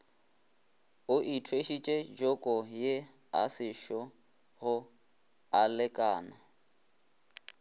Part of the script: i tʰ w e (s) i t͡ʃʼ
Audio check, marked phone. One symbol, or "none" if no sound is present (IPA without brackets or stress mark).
ʃ